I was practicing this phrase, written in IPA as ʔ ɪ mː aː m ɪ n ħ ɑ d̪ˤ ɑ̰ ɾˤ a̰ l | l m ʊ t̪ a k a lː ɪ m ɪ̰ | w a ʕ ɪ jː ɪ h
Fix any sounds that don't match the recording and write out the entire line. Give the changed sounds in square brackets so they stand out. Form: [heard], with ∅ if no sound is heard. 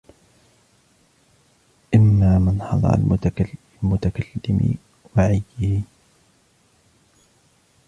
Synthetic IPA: ʔ ɪ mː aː m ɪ n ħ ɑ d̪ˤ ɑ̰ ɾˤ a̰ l | l m ʊ t̪ a k a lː ɪ m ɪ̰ | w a ʕ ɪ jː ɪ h

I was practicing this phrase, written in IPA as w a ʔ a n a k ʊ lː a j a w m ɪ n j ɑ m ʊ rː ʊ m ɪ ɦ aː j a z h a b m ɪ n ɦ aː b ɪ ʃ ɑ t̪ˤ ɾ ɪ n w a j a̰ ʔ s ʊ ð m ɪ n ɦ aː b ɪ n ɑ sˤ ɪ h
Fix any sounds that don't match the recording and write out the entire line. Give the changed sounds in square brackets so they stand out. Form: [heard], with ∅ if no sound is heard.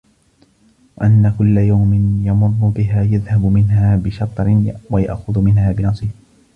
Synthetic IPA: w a ʔ a [nː] a k ʊ lː a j a w m ɪ n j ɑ m ʊ rː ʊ [b] ɪ ɦ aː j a [ð] h a b m ɪ n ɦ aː b ɪ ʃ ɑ t̪ˤ ɾ ɪ n w a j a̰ ʔ [x] ʊ ð m ɪ n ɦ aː b ɪ n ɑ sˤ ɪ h

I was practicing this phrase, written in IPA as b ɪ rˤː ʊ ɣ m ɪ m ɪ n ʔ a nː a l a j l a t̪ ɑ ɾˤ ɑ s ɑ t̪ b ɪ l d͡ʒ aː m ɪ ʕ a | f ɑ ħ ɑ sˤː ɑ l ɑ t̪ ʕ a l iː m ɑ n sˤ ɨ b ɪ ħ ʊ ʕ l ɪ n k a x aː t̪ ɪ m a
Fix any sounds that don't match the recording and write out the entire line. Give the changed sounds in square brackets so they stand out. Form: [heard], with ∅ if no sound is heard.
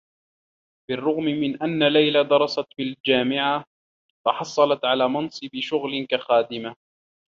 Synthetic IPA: b ɪ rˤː ʊ ɣ m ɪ m ɪ n ʔ a nː a l a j l a [d̪] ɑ ɾˤ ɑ s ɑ t̪ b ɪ l d͡ʒ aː m ɪ ʕ a | f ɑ ħ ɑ sˤː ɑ l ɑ t̪ ʕ a l [aː] m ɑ n sˤ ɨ b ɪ [ʃ] ʊ [ɣ] l ɪ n k a x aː [d̪] ɪ m a

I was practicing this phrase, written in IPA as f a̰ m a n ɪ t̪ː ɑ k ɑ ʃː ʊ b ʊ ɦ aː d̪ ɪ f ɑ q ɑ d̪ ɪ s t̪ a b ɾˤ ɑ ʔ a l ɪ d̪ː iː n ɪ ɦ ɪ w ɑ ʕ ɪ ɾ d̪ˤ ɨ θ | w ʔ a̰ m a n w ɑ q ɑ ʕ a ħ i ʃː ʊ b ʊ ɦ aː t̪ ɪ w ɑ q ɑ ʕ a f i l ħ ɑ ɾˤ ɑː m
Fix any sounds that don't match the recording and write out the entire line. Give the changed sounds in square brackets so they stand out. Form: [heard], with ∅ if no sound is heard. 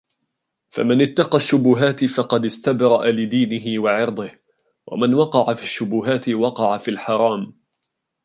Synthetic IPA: f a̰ m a n ɪ t̪ː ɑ [q] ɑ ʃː ʊ b ʊ ɦ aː [t̪] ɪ f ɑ q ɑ d̪ ɪ s t̪ a b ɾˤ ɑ ʔ a l ɪ [d̪] iː n ɪ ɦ ɪ w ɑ ʕ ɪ ɾ d̪ˤ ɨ [h] | w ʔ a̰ m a n w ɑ q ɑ ʕ a [f] i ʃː ʊ b ʊ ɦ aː t̪ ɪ w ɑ q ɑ ʕ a f i l ħ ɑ ɾˤ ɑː m

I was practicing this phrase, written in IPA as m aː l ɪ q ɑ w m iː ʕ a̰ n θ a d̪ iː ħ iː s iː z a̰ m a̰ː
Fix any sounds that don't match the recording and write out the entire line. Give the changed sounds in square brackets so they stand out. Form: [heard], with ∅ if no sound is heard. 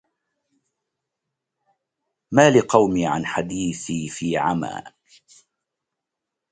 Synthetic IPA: m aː l ɪ q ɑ w m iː ʕ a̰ n [ħ] a d̪ iː [θ] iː [f] iː [ʕ] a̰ m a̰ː

